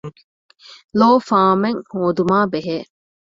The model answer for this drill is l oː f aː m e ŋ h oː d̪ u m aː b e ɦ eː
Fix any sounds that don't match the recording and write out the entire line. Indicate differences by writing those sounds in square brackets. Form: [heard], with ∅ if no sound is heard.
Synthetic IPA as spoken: l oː f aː m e ŋ h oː d̪ u m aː b e ɦ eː